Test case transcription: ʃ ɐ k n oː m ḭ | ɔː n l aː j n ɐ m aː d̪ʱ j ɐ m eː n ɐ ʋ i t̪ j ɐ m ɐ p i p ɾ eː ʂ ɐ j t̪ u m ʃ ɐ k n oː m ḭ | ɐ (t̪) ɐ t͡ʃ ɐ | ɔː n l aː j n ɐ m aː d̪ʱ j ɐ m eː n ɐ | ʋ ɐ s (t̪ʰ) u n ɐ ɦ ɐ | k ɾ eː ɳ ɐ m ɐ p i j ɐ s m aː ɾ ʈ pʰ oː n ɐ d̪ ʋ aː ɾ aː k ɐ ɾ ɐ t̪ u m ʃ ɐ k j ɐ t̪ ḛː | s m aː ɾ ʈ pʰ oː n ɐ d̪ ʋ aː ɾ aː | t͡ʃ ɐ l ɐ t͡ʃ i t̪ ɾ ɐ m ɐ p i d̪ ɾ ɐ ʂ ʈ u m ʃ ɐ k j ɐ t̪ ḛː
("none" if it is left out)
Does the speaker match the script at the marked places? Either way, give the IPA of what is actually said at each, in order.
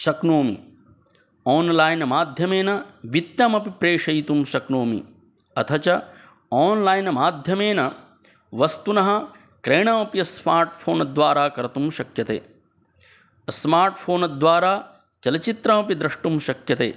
t̪ʰ, t̪

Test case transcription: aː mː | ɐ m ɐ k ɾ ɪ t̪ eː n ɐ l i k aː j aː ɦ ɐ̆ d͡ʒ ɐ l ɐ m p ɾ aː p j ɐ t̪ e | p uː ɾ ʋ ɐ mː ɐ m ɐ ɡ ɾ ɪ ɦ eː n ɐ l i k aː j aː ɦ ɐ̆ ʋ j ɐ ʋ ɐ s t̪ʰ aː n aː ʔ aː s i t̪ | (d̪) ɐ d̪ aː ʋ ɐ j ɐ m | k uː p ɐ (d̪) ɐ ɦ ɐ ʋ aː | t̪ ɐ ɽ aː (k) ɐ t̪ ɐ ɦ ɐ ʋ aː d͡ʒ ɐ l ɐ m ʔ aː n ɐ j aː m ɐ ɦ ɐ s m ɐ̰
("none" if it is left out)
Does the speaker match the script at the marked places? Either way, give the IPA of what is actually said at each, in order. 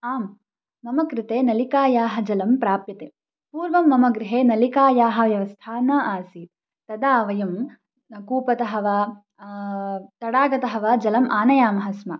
t̪, t̪, ɡ

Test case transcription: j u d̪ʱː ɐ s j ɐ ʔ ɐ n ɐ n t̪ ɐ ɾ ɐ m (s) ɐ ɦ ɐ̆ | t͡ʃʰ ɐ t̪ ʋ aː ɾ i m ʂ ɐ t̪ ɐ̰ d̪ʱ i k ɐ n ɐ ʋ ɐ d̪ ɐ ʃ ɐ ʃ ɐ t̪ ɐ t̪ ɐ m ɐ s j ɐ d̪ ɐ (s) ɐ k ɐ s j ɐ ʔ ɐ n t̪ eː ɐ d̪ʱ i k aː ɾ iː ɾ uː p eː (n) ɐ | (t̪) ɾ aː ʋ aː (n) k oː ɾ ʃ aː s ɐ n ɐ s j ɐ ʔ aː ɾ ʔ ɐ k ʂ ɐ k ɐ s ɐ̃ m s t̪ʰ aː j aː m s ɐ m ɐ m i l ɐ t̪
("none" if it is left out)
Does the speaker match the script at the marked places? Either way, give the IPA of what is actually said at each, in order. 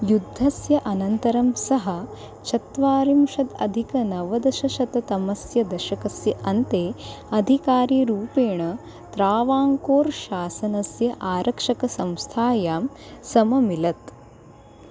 s, ʃ, ɳ, t̪, ŋ

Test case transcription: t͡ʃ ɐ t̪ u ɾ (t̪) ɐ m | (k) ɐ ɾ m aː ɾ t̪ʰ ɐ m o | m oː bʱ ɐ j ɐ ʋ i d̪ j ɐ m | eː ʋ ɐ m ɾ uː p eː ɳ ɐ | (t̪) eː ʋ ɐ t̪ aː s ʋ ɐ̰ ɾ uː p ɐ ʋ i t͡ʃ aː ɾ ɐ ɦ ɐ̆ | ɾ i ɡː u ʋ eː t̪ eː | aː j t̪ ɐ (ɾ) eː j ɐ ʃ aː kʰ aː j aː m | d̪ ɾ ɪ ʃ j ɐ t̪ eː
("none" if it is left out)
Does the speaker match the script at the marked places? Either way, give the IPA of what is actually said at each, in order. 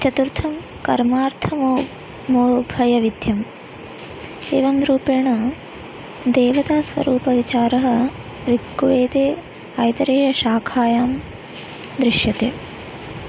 t̪ʰ, k, d̪, ɾ

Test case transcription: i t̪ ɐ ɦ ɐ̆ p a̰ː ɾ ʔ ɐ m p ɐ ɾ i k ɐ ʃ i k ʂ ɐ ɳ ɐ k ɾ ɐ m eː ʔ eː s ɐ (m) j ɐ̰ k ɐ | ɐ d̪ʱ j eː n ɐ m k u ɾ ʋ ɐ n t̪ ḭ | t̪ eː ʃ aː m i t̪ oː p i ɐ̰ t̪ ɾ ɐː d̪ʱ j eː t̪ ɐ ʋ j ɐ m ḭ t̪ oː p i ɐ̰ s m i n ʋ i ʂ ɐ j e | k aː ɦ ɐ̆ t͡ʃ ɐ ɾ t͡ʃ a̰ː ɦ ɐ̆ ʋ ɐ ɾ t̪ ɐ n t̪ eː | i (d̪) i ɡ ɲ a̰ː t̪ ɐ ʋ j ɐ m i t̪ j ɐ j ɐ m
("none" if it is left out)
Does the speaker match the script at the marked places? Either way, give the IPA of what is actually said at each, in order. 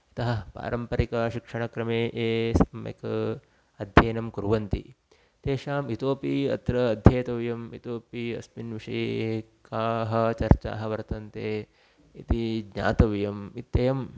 m, t̪

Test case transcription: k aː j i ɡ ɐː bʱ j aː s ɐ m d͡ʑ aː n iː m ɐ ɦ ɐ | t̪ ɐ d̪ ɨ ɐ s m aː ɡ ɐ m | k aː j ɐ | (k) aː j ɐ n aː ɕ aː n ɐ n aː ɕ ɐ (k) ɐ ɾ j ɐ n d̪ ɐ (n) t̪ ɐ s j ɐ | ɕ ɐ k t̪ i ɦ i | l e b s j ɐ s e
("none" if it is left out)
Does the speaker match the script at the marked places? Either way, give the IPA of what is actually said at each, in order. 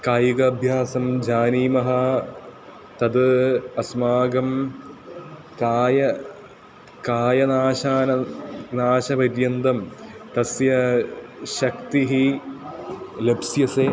k, p, m

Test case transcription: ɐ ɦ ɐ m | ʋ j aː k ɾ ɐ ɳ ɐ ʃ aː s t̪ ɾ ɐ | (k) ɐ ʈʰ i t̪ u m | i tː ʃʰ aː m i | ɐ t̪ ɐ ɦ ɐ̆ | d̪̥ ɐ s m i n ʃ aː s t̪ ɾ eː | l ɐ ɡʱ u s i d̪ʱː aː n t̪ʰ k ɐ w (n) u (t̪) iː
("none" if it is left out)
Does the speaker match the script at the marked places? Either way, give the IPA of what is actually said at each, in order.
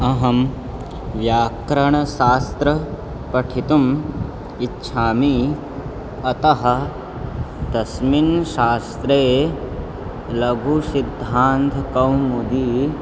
p, m, d̪

